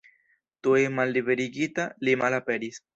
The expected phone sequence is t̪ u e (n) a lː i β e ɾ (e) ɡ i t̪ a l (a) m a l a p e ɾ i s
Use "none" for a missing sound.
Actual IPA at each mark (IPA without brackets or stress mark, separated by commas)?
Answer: m, i, i